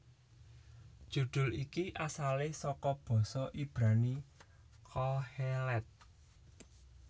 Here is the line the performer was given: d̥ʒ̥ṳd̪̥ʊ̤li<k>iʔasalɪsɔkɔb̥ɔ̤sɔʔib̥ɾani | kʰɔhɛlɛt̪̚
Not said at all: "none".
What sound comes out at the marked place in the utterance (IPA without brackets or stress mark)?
k